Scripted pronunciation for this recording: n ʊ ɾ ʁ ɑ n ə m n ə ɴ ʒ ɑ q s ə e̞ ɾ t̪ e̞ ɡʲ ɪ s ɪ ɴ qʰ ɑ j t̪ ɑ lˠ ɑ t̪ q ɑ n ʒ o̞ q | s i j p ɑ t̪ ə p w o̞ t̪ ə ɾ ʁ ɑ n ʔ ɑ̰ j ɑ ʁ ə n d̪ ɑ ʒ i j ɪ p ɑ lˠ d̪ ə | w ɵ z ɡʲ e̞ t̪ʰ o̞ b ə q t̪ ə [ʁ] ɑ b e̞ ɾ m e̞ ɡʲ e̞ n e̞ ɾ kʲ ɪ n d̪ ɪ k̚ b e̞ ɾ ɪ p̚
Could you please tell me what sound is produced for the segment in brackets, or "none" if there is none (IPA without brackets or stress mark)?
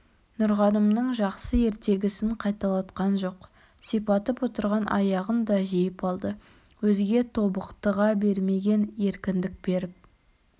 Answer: ʁ